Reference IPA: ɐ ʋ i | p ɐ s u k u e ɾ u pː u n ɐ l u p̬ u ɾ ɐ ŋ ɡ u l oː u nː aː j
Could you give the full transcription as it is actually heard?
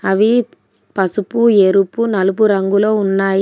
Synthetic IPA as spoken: ɐ ʋ i | p ɐ s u p u e ɾ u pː u n ɐ l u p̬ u ɾ ɐ ŋ ɡ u l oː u nː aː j